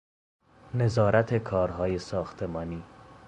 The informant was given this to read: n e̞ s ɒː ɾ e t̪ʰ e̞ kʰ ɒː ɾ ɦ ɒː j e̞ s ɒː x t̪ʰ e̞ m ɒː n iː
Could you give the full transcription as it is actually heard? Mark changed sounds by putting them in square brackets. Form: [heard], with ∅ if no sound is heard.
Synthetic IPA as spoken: n e̞ [z] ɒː ɾ [æ] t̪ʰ e̞ kʰ ɒː ɾ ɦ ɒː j e̞ s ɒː x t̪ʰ e̞ m ɒː n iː